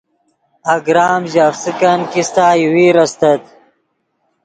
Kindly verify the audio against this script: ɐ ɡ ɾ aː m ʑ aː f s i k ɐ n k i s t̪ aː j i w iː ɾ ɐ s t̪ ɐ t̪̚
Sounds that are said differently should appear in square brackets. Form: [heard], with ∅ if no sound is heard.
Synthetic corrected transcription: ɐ ɡ ɾ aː m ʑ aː f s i k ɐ n k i s t̪ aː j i w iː ɾ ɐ s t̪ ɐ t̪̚